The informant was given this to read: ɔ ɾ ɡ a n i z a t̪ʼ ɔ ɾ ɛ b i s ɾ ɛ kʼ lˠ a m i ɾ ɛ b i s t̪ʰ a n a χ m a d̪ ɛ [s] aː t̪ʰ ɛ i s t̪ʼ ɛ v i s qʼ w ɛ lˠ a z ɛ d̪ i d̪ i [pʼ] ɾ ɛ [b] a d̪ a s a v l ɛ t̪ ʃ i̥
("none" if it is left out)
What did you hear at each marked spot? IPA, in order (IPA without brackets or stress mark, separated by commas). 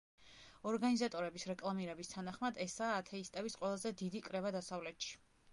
s, kʼ, v